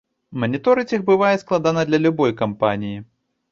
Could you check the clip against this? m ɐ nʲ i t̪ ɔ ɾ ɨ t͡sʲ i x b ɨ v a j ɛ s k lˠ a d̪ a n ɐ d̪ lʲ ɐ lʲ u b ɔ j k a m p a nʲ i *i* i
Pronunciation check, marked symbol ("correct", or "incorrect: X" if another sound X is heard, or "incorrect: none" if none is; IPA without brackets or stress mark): incorrect: j